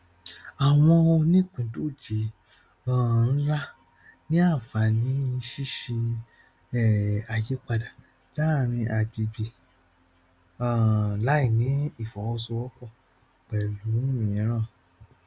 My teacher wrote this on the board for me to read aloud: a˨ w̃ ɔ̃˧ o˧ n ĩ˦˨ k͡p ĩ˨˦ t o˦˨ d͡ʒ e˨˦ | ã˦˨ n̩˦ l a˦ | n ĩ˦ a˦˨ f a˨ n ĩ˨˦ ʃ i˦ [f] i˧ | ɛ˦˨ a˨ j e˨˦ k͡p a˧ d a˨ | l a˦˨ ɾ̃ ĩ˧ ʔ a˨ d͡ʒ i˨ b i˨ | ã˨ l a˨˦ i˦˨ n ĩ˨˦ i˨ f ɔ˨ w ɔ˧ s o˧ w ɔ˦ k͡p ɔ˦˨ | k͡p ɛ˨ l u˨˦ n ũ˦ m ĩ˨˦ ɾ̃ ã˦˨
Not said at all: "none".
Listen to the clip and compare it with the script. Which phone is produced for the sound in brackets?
ʃ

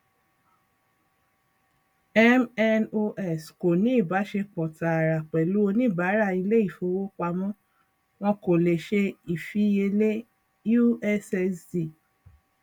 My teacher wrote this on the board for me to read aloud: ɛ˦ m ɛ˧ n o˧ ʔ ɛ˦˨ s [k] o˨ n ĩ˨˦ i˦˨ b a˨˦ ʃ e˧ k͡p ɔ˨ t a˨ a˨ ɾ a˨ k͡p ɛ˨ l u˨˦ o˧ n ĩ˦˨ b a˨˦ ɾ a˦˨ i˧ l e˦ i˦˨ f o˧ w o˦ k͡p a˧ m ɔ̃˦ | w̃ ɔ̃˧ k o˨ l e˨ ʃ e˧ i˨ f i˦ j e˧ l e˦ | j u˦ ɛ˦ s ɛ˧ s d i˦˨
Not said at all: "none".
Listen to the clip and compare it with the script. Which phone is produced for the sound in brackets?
k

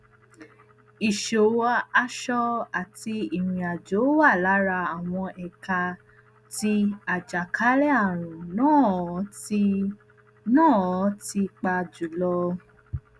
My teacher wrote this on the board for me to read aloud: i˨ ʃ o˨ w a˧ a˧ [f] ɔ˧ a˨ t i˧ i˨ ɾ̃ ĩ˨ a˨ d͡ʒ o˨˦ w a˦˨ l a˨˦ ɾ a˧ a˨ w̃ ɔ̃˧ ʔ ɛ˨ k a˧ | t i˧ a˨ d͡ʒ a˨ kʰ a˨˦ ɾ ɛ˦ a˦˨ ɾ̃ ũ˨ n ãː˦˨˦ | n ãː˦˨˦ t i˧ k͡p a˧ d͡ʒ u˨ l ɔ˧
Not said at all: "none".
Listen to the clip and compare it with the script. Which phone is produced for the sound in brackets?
ʃ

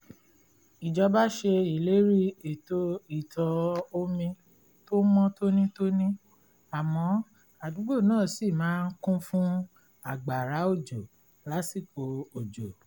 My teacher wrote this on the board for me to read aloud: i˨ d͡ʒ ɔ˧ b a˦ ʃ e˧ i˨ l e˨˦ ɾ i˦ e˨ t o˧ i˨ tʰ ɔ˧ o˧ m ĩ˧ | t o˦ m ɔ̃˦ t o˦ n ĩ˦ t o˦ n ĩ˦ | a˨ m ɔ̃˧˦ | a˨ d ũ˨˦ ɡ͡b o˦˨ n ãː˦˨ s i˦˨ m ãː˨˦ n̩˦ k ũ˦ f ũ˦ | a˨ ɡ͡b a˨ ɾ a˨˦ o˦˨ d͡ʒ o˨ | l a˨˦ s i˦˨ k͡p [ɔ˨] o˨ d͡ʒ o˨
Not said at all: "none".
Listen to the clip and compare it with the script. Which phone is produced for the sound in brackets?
o˨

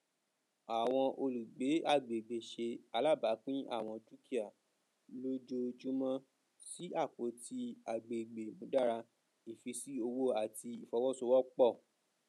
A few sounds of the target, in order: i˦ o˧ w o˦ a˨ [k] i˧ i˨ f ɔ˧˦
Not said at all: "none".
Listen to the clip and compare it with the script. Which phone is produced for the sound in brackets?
t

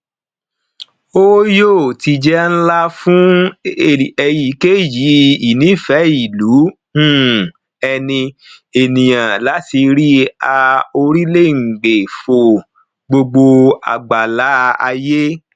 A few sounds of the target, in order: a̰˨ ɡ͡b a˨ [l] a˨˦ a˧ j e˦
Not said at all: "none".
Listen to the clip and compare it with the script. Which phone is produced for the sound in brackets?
l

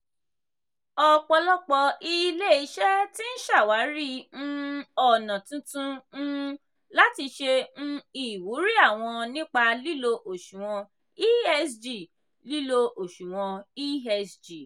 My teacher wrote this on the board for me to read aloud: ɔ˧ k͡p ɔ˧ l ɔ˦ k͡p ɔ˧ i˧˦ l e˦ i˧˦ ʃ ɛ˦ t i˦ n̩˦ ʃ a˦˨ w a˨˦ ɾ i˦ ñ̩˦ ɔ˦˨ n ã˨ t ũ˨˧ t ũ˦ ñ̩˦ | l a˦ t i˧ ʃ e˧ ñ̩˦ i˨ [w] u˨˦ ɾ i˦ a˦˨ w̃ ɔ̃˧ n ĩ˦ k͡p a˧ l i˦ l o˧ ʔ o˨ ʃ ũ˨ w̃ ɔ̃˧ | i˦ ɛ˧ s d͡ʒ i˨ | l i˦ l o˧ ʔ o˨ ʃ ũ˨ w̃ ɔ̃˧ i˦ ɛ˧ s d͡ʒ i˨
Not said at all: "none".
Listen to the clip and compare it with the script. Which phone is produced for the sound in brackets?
w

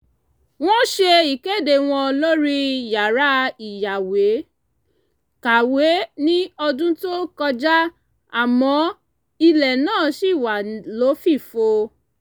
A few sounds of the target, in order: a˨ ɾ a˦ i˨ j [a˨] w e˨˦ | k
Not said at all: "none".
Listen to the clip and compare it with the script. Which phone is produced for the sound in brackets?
a˨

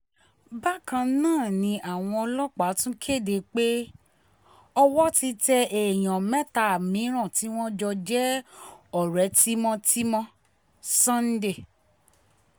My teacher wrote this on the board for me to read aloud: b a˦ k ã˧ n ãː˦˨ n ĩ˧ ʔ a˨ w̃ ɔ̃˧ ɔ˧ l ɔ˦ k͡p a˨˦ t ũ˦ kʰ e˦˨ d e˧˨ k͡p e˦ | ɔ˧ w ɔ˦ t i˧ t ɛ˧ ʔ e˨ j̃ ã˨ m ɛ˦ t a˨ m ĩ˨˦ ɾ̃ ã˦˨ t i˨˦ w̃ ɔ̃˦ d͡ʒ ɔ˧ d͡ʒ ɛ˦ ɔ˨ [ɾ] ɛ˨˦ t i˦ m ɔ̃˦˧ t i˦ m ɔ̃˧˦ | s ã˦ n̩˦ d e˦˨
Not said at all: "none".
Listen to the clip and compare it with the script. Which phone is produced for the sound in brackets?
ɾ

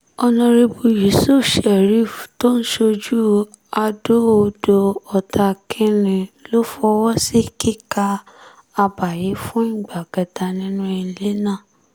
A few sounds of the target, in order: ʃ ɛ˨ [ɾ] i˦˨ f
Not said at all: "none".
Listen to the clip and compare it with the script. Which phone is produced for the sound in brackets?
ɾ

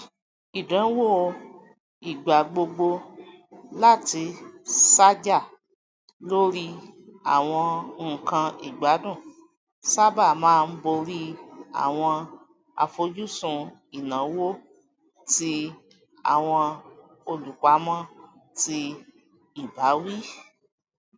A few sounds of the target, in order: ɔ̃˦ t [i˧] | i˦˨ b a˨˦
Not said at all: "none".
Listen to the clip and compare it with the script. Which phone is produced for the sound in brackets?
i˧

